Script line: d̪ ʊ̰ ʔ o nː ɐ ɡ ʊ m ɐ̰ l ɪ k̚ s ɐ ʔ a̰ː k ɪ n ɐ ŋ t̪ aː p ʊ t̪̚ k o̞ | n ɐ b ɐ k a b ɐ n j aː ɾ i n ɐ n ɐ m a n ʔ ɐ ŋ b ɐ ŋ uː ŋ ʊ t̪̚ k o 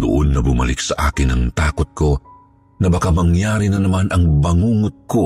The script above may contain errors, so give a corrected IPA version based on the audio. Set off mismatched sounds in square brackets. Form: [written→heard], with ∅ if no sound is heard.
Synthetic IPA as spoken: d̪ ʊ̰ ʔ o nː ɐ [ɡ→b] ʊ m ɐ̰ l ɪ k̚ s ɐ ʔ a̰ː k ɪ n ɐ ŋ t̪ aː [p→k] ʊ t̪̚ k o̞ | n ɐ b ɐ k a [b→m] ɐ [n→ŋ] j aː ɾ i n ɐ n ɐ m a n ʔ ɐ ŋ b ɐ ŋ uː ŋ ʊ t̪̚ k o